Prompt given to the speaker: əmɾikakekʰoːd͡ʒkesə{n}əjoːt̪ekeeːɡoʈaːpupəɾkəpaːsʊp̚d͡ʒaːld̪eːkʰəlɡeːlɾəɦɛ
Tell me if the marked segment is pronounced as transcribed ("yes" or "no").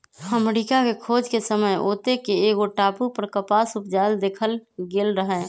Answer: no